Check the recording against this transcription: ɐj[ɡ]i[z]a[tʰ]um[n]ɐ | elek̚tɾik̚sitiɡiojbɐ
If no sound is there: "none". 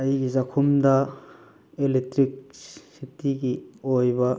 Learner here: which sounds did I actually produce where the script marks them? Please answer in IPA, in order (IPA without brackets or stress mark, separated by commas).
ɡ, z, kʰ, d